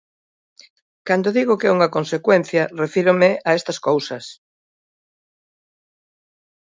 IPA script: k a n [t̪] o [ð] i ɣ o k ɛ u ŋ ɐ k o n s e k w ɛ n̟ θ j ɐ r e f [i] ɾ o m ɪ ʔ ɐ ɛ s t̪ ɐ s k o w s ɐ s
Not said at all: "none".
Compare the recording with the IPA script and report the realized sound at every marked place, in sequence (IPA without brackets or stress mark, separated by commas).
d̪, ð, i